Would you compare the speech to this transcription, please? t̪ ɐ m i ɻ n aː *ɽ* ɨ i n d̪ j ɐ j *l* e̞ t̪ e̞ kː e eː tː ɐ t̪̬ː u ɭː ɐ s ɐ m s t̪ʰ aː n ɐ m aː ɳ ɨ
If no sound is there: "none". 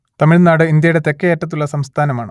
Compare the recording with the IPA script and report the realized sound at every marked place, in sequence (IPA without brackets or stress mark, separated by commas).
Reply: ɽ, ɽ